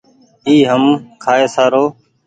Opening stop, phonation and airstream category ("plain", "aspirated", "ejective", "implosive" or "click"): aspirated